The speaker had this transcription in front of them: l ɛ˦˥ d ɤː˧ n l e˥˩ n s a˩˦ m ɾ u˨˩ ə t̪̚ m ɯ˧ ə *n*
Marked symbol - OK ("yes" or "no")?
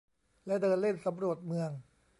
no